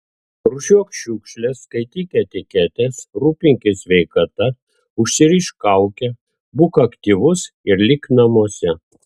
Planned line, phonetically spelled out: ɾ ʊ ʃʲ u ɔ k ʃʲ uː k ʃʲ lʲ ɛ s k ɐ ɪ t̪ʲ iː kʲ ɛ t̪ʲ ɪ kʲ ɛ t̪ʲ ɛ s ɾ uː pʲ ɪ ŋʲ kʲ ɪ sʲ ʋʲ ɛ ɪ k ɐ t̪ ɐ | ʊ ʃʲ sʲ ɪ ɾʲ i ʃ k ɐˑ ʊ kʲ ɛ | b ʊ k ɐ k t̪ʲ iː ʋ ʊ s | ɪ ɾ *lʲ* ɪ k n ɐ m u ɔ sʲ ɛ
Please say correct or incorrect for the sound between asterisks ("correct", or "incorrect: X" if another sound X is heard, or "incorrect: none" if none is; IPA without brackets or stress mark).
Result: correct